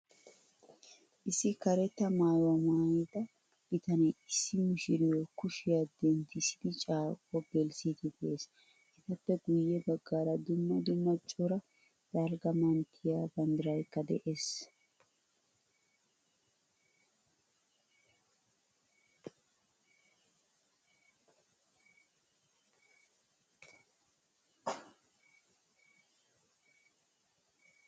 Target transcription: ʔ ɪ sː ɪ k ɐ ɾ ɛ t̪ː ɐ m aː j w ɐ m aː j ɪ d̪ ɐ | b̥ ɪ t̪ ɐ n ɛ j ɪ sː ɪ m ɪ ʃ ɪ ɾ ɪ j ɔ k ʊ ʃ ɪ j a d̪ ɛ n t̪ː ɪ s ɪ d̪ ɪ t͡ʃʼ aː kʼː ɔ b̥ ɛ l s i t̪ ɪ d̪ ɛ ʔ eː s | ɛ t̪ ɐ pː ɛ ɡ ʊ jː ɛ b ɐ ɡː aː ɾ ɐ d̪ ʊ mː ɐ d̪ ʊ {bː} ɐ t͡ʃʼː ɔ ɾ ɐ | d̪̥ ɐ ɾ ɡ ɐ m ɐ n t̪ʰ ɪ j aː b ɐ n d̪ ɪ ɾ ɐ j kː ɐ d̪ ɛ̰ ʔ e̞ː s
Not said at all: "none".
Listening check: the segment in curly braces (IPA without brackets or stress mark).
mː